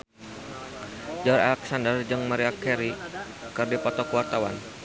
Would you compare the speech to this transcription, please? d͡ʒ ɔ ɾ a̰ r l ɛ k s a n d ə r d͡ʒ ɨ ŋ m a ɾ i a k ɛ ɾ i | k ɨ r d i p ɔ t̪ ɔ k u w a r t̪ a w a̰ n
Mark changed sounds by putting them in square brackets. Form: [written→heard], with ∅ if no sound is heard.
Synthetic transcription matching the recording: d͡ʒ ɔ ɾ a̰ [r→∅] l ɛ k s a n d ə r d͡ʒ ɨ ŋ m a ɾ i a k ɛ ɾ i | k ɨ r d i p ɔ t̪ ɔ k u w a r t̪ a w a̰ n